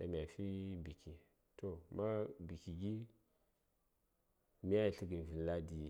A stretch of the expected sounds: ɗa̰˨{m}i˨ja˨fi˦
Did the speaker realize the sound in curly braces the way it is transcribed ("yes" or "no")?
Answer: yes